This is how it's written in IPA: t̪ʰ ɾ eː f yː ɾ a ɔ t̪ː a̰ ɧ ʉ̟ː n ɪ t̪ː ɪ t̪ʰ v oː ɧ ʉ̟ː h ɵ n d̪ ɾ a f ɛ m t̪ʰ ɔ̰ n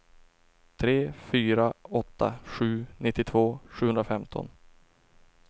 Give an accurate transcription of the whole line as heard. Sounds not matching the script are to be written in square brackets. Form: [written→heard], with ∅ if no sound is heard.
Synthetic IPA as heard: t̪ʰ ɾ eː f yː ɾ a ɔ t̪ː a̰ ɧ ʉ̟ː n ɪ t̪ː ɪ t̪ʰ v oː ɧ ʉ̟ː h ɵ n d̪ ɾ a f ɛ m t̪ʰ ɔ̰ n